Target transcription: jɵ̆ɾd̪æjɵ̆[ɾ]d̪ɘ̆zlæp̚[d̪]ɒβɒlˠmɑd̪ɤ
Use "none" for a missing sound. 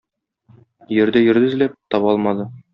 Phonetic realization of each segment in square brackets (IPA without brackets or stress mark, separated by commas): ɾ, t̪